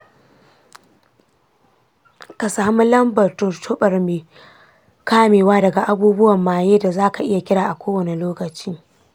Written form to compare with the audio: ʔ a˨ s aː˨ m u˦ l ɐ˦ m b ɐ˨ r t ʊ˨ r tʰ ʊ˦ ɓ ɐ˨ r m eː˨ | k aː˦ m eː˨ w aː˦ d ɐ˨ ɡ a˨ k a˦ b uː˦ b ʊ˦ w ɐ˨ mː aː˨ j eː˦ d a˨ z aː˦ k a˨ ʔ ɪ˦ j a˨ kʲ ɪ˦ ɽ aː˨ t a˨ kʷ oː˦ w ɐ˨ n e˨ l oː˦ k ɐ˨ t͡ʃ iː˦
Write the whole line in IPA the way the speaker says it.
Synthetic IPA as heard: k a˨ s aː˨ m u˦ l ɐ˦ m b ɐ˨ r t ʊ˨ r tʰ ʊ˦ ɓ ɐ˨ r m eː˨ | k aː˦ m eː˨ w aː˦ d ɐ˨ ɡ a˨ ʔ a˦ b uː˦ b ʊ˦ w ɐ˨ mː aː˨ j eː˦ d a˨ z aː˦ k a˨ ʔ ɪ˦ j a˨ kʲ ɪ˦ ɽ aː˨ ʔ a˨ kʷ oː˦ w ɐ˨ n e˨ l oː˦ k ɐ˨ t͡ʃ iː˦